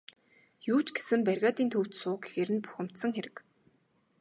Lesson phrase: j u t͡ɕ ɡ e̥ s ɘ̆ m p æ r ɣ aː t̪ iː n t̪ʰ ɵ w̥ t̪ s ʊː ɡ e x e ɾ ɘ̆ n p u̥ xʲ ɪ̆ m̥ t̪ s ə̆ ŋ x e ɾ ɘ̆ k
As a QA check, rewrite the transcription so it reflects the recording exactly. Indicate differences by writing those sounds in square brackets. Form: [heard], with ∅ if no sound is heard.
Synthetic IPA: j [uː] t͡ɕ ɡ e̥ s ɘ̆ m p æ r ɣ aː t̪ iː n t̪ʰ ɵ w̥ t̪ s ʊː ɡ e x e ɾ ɘ̆ n p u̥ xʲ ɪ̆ m̥ t̪ s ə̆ ŋ x e ɾ ɘ̆ k

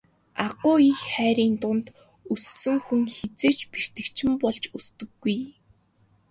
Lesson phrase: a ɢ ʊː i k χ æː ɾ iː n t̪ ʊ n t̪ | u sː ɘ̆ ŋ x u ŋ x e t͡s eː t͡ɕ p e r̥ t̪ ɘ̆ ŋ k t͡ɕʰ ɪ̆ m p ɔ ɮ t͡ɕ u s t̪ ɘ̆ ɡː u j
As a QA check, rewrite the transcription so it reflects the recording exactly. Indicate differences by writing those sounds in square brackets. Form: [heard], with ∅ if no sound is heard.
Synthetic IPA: a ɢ ʊː i [x] χ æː ɾ iː n t̪ ʊ n t̪ | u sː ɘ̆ ŋ x u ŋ x e t͡s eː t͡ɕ p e r̥ t̪ ɘ̆ [∅] k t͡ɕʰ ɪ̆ m p ɔ ɮ t͡ɕ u s t̪ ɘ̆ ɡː u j

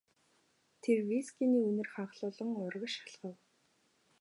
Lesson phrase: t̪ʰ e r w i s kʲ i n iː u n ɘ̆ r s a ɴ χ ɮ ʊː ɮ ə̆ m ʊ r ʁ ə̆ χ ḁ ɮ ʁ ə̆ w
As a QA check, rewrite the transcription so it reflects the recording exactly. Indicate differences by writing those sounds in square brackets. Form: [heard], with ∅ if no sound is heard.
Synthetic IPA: t̪ʰ e r w i s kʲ i n iː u n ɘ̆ r [χ] a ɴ χ ɮ ʊː ɮ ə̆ [ŋ] ʊ r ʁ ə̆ [ʃ] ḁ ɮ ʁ ə̆ w

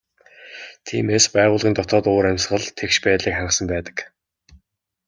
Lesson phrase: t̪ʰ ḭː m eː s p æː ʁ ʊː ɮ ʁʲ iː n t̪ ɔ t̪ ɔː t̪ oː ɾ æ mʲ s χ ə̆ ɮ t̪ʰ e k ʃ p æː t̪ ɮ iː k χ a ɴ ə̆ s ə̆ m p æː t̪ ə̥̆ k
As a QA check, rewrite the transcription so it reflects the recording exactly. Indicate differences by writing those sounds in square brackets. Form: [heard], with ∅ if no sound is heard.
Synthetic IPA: t̪ʰ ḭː m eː s p æː ʁ ʊː ɮ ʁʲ iː n t̪ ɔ t̪ ɔː t̪ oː ɾ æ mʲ s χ ə̆ ɮ t̪ʰ e k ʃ p æː t̪ ɮ iː k χ a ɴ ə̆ s ə̆ m p æː t̪ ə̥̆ k

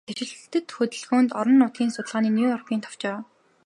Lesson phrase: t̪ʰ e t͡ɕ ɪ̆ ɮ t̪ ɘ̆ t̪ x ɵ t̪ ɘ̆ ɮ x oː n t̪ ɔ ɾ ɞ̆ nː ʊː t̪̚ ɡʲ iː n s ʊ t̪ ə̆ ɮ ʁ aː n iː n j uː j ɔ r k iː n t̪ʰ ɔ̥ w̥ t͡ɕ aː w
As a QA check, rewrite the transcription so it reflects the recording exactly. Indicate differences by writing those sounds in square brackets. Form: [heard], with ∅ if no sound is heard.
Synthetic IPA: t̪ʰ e t͡ɕ ɪ̆ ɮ t̪ ɘ̆ t̪ x ɵ t̪ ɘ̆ ɮ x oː n t̪ ɔ ɾ ɞ̆ nː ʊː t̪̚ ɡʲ iː n s ʊ t̪ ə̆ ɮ ʁ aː n iː n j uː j ɔ r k iː n t̪ʰ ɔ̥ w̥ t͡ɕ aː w

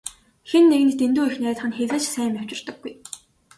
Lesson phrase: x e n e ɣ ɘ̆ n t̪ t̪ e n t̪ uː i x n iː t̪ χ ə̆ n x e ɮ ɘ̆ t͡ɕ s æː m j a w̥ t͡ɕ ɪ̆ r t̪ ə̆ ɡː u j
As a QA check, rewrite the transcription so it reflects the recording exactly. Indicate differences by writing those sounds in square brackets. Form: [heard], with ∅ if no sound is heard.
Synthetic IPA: x e [nː] e ɣ ɘ̆ n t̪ t̪ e n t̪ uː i x n [æː] t̪ χ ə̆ n x e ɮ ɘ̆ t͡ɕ s æː m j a w̥ t͡ɕ ɪ̆ r t̪ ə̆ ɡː u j

